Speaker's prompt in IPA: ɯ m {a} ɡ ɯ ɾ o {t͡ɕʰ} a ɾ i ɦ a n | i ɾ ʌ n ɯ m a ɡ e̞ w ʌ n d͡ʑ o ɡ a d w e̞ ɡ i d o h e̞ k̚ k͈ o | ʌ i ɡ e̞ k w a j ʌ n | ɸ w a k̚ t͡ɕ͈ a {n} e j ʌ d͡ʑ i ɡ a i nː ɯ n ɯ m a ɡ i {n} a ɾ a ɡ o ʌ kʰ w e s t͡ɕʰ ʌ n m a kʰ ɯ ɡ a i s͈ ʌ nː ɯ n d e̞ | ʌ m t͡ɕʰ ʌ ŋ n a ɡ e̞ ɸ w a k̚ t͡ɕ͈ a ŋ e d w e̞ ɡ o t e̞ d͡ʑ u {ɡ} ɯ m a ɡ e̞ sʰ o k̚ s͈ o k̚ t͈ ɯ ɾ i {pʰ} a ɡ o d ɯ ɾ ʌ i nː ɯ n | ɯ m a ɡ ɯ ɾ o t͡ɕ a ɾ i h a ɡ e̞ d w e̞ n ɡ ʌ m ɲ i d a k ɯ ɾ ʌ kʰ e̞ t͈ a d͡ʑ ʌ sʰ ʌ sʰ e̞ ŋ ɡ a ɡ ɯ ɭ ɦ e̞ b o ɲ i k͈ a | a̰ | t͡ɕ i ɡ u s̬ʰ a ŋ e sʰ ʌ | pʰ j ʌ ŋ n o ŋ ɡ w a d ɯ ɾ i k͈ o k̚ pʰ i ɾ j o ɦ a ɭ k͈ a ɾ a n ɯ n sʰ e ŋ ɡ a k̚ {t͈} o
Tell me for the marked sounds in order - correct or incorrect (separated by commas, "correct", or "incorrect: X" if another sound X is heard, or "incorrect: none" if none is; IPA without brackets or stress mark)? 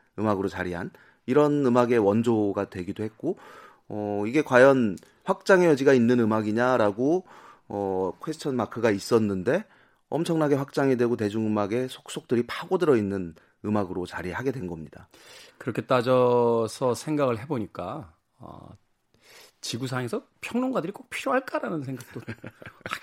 correct, incorrect: t͡ɕ, incorrect: ŋ, incorrect: ɲ, incorrect: ŋ, correct, correct